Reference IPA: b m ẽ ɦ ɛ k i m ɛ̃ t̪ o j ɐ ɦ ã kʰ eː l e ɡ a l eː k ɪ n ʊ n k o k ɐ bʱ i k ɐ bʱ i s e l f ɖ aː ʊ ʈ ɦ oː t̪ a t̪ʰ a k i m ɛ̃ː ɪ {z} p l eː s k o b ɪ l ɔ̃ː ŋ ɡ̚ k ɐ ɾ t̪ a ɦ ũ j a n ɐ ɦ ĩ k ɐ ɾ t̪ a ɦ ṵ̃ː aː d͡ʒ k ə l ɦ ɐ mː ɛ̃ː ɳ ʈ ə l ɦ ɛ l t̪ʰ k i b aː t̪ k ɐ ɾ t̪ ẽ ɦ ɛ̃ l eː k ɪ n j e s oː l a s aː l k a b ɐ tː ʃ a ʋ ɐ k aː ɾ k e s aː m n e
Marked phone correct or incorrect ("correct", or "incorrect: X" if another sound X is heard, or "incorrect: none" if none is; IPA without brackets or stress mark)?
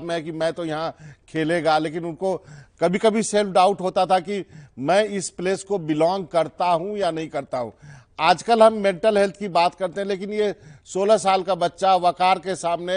incorrect: s